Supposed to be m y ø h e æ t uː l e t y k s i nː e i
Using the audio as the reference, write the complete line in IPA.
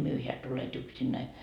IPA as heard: m y ø h e æ t u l e t y k s i nː æ i

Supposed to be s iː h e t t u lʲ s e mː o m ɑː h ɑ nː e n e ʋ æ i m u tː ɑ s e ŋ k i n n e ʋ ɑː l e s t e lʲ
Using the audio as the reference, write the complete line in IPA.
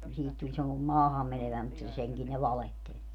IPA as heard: s iː h i t t u lʲ s e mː o m ɑː h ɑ mː e n e ʋ æ i m u tː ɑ s e ŋ k i n n e ʋ ɑ l e h t e lʲ

